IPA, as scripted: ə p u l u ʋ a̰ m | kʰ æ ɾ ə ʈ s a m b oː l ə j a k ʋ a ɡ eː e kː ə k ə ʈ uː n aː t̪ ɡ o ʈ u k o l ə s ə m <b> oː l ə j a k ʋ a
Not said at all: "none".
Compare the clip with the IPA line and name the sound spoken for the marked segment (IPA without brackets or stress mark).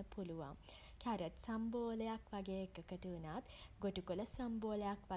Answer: b